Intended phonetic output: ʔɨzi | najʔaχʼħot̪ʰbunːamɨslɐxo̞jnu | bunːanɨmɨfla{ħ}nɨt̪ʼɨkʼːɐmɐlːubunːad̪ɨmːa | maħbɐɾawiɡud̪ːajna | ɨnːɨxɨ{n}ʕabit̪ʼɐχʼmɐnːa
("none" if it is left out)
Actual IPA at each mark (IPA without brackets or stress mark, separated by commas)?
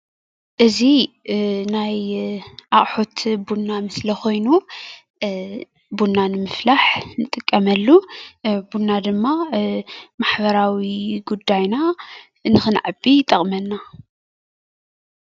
ħ, n